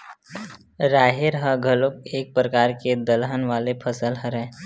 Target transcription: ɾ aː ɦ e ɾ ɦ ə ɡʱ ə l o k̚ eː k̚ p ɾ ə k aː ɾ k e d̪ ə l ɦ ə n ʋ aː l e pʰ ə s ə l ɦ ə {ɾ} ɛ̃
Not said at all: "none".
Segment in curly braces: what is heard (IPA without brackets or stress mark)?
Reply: ɾ